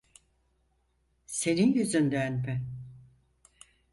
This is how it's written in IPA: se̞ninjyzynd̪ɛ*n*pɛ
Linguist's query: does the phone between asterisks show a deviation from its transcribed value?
no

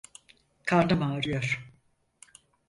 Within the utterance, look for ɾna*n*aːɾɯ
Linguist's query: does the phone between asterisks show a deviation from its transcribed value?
yes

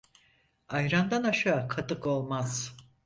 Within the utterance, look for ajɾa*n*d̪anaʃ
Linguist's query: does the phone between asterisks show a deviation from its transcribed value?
no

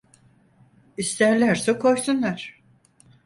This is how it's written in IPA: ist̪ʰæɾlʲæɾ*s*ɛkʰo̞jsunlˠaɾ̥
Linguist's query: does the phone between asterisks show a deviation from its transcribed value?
no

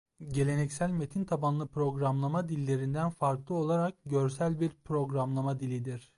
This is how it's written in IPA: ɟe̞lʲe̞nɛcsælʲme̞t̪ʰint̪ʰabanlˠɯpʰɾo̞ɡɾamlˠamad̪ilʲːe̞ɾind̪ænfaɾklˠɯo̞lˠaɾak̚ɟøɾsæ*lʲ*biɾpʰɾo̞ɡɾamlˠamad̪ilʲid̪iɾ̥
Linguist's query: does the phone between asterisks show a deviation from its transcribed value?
no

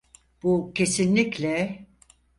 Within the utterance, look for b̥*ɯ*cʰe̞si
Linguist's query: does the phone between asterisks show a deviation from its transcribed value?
yes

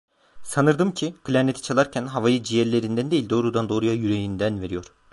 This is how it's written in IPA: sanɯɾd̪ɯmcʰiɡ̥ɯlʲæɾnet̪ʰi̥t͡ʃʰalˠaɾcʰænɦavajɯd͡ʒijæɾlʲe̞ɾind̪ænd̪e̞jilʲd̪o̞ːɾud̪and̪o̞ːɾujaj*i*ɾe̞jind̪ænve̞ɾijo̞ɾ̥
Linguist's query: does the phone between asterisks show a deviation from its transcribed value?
yes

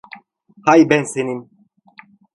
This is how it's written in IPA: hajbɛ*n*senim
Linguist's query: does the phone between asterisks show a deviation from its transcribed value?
no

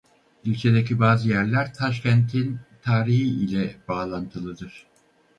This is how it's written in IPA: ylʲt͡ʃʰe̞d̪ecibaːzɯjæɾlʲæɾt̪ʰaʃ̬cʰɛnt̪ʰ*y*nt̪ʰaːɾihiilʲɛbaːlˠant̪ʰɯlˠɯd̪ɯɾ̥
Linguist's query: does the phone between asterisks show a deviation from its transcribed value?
yes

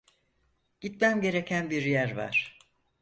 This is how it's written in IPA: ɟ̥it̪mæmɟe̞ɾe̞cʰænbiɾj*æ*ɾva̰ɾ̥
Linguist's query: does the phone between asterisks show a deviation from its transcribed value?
no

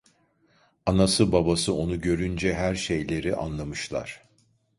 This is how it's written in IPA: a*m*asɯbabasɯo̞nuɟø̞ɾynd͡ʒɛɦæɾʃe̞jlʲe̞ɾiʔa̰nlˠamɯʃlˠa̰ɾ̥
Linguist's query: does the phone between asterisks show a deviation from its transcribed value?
yes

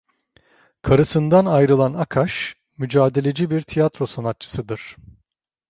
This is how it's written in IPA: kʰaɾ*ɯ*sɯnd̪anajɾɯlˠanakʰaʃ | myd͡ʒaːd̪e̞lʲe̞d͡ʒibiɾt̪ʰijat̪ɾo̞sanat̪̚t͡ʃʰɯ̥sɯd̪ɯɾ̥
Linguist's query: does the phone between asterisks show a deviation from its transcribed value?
no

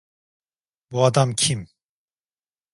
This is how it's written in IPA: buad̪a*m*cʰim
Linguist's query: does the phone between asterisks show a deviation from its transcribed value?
no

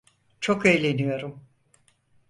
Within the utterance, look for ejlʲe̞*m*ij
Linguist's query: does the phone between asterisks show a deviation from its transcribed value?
yes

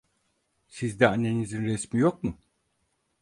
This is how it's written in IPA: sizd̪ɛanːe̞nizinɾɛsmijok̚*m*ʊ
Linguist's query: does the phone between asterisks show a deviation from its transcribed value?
no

